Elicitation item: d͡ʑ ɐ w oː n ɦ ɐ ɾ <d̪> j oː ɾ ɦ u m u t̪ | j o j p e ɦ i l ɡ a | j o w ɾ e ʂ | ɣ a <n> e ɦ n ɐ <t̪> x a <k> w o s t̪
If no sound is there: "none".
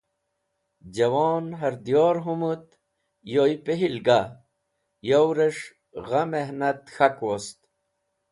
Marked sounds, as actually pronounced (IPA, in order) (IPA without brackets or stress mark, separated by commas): d̪, m, t̪, k